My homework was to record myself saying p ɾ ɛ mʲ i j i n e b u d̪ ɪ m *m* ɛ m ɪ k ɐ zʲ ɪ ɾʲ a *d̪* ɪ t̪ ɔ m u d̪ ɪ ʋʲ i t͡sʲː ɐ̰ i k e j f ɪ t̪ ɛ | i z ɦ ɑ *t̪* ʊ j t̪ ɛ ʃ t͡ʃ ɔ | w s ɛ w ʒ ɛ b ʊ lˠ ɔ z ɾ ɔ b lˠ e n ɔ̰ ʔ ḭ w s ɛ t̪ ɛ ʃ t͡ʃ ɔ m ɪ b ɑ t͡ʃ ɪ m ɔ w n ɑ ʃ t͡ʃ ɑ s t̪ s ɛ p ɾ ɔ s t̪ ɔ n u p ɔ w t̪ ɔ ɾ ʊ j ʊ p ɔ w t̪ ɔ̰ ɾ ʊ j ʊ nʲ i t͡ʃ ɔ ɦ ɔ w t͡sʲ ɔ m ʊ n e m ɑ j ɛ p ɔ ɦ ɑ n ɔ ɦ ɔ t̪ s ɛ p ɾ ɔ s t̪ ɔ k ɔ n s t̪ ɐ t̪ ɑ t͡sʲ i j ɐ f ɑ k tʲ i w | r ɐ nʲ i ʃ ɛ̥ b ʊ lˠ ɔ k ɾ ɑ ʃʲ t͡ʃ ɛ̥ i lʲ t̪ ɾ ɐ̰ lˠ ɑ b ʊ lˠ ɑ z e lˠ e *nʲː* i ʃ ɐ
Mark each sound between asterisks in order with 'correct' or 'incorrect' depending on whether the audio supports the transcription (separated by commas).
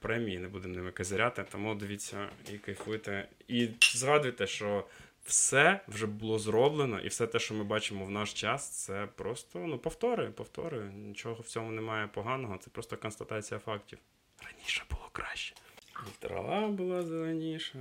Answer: incorrect, incorrect, incorrect, incorrect